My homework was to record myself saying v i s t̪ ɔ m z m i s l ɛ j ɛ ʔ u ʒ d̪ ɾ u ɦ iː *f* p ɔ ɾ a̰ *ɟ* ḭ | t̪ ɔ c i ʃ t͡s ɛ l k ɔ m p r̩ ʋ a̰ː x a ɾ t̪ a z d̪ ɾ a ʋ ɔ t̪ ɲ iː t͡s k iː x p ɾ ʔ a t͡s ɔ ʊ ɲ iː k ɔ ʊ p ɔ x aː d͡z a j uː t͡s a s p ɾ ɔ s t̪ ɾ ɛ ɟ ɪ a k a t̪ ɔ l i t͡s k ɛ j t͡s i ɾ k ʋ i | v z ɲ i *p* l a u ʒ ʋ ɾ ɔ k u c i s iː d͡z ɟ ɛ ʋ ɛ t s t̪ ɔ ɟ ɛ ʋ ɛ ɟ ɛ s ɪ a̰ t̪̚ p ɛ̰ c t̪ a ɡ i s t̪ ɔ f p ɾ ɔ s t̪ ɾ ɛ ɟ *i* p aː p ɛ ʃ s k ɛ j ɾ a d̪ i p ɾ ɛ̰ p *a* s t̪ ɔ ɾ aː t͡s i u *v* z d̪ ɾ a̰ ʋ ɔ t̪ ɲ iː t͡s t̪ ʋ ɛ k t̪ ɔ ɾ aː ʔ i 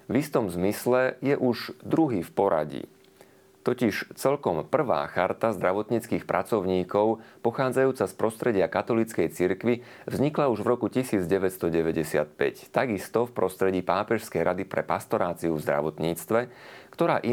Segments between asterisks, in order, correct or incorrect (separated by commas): correct, correct, incorrect, incorrect, correct, correct